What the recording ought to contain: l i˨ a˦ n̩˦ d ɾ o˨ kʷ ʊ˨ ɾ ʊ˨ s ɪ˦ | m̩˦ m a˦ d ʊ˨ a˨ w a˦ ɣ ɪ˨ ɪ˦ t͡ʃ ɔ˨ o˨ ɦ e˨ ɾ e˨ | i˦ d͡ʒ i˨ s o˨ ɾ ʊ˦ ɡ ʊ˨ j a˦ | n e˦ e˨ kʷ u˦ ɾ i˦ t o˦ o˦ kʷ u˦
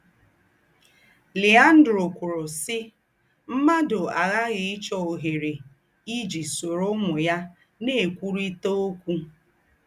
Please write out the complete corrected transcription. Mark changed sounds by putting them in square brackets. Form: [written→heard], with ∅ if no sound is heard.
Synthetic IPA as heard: l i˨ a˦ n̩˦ d ɾ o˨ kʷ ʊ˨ ɾ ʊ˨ s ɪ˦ | m̩˦ m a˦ d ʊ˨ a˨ [w→ɣ] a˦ ɣ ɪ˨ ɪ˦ t͡ʃ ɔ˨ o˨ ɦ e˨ ɾ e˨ | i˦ d͡ʒ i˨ s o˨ ɾ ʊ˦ [ɡ→ŋ] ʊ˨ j a˦ | n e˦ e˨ kʷ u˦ ɾ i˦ t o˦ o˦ kʷ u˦